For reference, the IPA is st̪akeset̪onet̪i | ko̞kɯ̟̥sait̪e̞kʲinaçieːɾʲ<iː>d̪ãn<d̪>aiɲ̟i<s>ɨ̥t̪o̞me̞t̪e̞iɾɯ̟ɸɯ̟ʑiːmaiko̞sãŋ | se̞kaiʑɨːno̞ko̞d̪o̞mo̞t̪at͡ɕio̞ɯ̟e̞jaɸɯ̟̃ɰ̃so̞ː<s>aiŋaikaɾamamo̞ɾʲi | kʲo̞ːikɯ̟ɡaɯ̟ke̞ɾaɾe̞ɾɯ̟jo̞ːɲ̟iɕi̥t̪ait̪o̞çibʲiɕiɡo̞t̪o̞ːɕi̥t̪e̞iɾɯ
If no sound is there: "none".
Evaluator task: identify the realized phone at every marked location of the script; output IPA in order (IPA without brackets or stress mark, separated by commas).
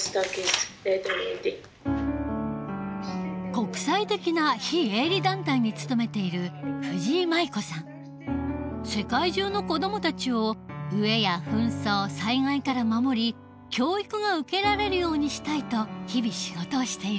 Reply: i, t̪, t͡s, s